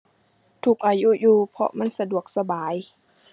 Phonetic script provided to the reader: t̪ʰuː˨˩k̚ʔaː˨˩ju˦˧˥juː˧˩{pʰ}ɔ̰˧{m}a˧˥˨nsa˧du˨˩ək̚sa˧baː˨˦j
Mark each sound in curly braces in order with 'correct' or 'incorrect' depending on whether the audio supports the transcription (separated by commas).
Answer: correct, correct